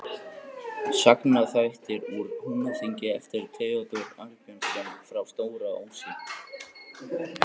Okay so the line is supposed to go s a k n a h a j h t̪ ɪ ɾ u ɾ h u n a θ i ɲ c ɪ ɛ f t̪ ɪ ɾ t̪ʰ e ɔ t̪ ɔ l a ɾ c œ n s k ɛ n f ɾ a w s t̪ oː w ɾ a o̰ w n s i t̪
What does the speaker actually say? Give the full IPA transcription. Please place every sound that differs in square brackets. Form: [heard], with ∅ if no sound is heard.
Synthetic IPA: s a k n a [θ] a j h t̪ ɪ ɾ u ɾ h u n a θ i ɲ c ɪ ɛ f t̪ ɪ ɾ t̪ʰ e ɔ t̪ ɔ [ɾ] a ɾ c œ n s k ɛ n f ɾ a w s t̪ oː w ɾ a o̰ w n s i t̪